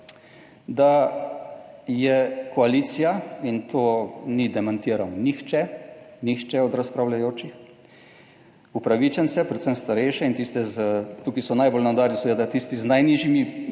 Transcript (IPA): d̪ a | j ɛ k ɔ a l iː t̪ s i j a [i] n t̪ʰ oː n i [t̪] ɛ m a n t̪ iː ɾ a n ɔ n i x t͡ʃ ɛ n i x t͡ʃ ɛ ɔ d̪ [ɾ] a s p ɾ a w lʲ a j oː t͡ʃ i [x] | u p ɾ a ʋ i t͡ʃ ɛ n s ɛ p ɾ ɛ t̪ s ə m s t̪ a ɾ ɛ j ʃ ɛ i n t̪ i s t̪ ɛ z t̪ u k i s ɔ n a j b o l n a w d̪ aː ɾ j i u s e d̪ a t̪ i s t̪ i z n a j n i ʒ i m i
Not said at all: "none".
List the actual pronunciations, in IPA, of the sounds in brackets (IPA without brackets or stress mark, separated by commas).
i, d̪, ɾ, x